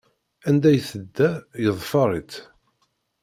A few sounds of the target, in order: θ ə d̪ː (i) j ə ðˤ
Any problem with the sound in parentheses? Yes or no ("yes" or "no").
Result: yes